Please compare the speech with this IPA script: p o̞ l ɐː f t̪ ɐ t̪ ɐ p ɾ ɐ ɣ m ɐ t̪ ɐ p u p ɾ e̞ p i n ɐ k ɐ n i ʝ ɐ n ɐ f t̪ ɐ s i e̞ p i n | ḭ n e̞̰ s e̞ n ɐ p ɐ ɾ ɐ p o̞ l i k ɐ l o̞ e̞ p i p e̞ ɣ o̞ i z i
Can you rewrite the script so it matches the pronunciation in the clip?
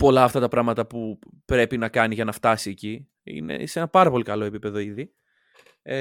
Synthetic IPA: p o̞ l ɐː f t̪ ɐ t̪ ɐ p ɾ ɐ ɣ m ɐ t̪ ɐ p u p ɾ e̞ p i n ɐ k ɐ n i ʝ ɐ n ɐ f t̪ ɐ s i e̞ c i | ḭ n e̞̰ s e̞ n ɐ p ɐ ɾ ɐ p o̞ l i k ɐ l o̞ e̞ p i p e̞ ð o̞ i ð i